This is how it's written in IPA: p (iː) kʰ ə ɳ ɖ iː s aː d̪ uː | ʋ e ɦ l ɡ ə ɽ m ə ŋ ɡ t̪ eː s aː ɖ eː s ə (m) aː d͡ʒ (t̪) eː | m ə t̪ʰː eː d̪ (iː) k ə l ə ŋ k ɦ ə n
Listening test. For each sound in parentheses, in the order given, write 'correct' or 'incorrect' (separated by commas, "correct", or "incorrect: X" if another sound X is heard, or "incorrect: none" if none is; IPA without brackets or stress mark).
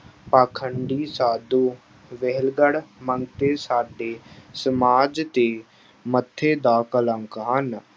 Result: incorrect: aː, correct, correct, incorrect: aː